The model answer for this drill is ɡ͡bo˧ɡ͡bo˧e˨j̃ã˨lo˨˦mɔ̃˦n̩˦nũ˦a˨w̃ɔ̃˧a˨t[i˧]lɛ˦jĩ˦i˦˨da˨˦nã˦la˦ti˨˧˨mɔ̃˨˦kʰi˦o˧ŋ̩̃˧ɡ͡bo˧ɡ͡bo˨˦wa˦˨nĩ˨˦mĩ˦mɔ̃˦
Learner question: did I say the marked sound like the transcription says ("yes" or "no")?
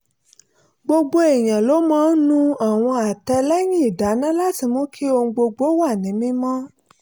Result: no